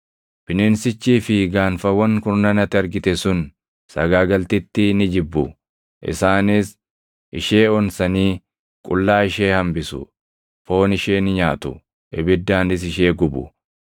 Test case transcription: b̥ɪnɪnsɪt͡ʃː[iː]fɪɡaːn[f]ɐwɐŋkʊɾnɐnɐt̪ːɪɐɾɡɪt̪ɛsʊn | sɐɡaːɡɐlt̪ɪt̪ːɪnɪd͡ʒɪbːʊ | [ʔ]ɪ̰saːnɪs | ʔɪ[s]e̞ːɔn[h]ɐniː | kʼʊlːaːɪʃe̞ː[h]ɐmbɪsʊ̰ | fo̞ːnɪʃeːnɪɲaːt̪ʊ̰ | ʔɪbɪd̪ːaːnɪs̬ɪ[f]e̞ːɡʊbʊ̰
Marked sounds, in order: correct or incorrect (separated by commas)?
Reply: correct, correct, correct, incorrect, incorrect, correct, incorrect